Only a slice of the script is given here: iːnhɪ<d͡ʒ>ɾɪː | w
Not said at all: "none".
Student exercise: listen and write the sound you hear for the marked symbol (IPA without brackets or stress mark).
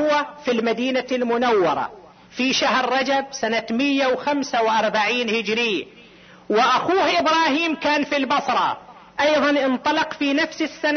d͡ʒ